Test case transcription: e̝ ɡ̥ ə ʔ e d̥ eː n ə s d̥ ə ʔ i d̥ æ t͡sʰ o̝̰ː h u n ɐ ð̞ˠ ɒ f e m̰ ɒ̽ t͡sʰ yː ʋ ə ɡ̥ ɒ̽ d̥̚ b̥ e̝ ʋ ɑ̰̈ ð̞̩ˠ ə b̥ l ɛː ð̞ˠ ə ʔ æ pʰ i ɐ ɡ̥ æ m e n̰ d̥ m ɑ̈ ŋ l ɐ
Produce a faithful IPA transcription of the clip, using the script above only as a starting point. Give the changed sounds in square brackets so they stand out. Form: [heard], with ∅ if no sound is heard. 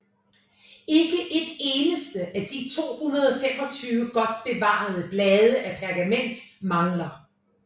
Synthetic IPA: e̝ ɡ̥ ə ʔ e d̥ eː n ə s d̥ ə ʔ [æ] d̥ [i] t͡sʰ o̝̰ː h u n ɐ ð̞ˠ ɒ f e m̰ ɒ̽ t͡sʰ yː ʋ ə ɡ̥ ɒ̽ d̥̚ b̥ e̝ ʋ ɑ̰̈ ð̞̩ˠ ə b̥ l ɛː ð̞ˠ ə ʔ æ pʰ [æ] ɐ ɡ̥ æ m e n̰ d̥ m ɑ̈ ŋ l ɐ